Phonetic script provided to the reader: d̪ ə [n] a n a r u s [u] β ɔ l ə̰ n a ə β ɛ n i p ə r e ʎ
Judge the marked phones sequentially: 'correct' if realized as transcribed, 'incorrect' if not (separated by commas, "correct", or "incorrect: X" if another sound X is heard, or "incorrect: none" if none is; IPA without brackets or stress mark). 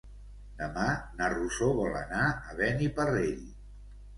incorrect: m, incorrect: o